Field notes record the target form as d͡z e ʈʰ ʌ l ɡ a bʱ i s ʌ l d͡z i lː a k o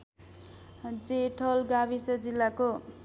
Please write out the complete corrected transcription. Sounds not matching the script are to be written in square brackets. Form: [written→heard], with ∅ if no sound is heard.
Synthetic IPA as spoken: d͡z e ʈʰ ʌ l ɡ a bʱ i s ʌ [l→∅] d͡z i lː a k o